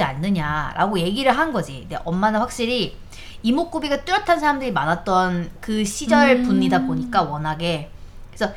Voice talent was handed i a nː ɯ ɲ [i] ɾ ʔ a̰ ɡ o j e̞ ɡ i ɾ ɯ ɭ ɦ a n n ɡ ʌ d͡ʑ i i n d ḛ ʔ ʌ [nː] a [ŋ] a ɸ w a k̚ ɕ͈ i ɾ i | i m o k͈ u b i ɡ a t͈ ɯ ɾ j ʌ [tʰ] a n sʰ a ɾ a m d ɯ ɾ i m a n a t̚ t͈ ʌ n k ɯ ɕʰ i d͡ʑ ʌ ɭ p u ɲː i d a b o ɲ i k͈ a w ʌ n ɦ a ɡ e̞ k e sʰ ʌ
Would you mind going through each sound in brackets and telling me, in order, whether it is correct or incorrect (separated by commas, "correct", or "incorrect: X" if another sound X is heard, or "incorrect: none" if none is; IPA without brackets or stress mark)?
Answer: incorrect: a, incorrect: mː, incorrect: n, correct